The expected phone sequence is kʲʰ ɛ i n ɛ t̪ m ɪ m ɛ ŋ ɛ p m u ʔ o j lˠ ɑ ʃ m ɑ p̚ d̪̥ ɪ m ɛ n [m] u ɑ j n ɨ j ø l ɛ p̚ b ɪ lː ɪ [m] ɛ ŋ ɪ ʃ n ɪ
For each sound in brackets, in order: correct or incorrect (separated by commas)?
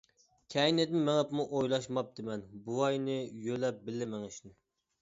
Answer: incorrect, correct